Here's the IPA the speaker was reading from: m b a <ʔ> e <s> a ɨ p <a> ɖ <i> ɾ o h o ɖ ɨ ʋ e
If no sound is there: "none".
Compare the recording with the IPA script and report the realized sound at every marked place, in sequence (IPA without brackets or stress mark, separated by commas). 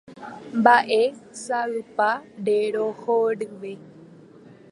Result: ʔ, s, a, e